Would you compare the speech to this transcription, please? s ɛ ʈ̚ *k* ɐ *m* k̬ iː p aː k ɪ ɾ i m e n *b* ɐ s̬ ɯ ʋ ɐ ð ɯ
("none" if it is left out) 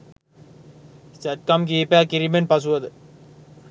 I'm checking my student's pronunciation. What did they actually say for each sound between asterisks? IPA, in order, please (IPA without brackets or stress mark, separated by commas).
k, m, p